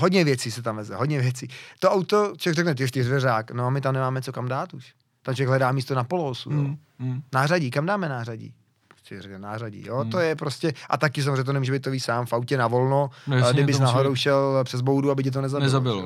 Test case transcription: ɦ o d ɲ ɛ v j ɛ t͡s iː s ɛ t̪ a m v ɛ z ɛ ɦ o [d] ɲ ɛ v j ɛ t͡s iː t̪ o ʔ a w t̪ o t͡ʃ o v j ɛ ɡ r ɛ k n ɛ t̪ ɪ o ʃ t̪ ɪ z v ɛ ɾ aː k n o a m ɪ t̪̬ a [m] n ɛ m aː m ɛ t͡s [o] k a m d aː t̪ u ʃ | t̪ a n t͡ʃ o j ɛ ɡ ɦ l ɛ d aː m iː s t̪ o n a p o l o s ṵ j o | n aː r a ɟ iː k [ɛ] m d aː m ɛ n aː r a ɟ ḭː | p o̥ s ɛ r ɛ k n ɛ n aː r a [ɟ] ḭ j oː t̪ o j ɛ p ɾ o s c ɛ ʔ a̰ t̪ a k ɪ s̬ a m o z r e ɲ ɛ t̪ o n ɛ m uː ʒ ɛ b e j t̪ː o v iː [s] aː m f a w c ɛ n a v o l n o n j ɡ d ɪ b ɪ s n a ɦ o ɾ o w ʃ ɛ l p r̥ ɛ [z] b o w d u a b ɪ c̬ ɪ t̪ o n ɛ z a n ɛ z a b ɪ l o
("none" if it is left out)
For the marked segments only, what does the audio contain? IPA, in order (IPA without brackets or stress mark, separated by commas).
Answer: d, m, o, a, ɟ, s, z